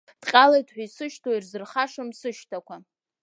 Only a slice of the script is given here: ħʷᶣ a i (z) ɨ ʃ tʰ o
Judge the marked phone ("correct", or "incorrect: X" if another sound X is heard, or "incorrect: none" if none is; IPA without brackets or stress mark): incorrect: s